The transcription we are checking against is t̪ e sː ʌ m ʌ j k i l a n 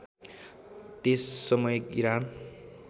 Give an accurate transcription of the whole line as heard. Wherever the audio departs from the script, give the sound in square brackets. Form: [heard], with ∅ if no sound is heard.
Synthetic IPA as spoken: t̪ e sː ʌ m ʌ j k i [ɾ] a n